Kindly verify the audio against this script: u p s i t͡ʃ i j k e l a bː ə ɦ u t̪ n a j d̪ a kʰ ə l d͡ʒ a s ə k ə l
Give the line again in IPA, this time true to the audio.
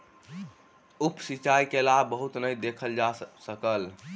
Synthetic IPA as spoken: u p s i t͡ʃ a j k e l a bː ə ɦ u t̪ n ə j d̪ e kʰ ə l d͡ʒ a s ə k ə l